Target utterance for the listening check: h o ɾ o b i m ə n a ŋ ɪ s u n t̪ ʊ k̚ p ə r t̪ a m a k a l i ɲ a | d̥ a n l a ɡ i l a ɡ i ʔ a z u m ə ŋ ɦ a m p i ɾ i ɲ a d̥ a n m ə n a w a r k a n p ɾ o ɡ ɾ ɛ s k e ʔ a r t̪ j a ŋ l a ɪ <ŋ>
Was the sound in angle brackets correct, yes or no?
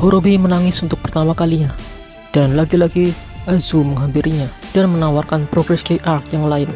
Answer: no